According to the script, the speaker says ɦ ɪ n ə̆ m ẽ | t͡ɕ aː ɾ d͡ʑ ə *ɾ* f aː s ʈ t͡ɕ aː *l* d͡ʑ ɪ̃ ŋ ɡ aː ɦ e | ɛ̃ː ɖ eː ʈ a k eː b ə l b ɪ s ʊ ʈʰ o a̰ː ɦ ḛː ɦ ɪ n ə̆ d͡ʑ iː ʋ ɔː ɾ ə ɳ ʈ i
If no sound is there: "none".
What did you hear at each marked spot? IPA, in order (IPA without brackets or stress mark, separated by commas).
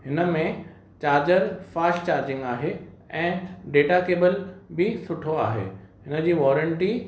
ɾ, ɾ